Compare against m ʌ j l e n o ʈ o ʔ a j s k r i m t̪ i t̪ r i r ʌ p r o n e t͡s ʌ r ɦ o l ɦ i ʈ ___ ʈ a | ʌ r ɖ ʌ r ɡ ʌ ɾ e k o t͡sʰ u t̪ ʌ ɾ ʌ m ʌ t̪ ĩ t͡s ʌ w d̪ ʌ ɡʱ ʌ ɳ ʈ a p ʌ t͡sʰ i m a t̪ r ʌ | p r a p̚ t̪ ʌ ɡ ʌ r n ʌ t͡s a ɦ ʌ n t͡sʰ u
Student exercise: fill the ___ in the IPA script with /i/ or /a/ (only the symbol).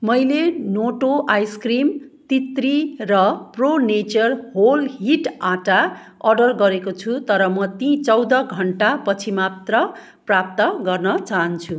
a